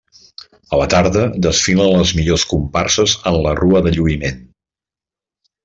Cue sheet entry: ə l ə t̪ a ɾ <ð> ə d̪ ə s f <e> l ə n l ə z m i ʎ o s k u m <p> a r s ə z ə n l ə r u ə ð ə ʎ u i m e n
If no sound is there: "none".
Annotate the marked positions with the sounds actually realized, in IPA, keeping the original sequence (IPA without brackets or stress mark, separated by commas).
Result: ð, i, p